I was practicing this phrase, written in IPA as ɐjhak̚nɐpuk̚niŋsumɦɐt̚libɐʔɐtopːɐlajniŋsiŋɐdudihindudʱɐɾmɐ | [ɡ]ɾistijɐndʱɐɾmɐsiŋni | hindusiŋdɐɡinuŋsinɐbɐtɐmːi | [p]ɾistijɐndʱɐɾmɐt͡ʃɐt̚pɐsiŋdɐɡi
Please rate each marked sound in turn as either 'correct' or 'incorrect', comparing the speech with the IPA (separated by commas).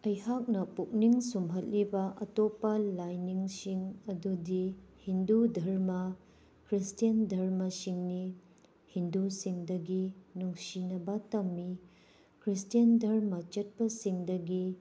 incorrect, incorrect